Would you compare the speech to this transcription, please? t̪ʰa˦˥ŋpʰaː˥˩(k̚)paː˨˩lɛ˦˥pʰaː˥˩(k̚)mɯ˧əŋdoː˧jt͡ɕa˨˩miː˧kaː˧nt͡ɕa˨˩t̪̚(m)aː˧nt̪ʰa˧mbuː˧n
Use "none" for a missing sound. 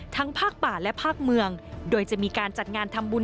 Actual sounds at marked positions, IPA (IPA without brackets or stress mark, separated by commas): k̚, k̚, ŋ